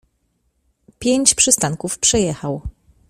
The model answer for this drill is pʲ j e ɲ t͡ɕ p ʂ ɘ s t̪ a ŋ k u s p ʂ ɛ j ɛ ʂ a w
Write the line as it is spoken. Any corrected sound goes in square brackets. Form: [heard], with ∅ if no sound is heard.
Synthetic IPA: pʲ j e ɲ t͡ɕ p ʂ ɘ s t̪ a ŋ k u [f] p ʂ ɛ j ɛ [x] a w